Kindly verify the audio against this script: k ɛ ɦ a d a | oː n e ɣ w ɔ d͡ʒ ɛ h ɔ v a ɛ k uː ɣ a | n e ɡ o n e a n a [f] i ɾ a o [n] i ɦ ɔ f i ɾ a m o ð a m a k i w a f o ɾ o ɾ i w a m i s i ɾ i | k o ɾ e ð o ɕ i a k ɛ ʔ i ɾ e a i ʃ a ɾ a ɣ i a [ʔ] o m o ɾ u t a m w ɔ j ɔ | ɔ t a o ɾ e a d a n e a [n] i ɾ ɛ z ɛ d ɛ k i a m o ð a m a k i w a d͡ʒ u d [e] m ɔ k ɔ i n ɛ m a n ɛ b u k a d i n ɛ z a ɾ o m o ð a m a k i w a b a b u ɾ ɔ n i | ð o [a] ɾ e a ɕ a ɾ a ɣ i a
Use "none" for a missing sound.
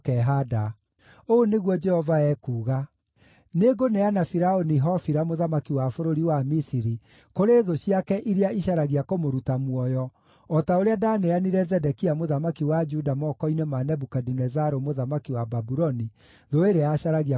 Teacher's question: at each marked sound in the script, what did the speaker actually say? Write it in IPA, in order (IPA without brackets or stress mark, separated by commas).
f, n, k, n, a, e